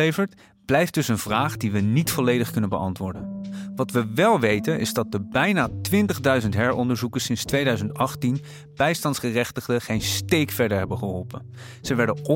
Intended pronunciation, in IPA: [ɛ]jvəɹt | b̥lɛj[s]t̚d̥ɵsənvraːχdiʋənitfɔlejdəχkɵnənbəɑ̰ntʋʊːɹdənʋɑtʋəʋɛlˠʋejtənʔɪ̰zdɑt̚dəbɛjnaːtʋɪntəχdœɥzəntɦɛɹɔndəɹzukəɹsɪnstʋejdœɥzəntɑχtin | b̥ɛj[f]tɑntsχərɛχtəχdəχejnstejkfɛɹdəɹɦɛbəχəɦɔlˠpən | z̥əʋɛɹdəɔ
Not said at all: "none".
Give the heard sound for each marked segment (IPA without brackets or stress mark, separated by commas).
e, f, s